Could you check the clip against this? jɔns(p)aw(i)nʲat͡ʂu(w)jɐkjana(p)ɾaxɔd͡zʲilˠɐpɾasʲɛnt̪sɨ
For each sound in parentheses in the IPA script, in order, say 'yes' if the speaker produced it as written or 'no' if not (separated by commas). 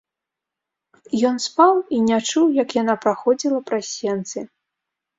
yes, yes, yes, yes